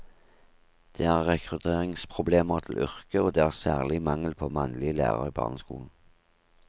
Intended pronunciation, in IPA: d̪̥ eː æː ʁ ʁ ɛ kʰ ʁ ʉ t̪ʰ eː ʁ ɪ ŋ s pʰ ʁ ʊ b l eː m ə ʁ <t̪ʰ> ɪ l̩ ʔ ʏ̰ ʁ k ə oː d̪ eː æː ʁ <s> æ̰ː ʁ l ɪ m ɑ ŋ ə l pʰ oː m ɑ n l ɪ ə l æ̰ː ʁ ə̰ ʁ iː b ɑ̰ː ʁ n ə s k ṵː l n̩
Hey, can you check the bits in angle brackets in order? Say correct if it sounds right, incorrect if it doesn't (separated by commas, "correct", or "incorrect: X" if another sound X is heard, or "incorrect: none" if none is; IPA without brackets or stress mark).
correct, correct